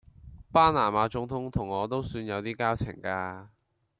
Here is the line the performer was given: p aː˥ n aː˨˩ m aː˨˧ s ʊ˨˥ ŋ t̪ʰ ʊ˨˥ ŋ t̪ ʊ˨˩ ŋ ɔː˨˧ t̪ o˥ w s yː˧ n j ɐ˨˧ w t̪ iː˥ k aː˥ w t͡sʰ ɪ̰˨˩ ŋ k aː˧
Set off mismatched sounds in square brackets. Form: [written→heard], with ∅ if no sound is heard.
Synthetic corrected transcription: p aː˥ n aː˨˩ m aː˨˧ [s→t͡s] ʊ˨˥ ŋ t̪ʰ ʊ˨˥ ŋ [t̪→t̪ʰ] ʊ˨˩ ŋ ɔː˨˧ t̪ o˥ w s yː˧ n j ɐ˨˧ w t̪ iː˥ k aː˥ w t͡sʰ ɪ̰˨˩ ŋ k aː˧